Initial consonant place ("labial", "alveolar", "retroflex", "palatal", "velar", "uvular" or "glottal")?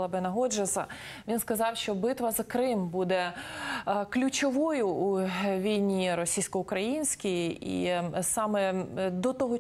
labial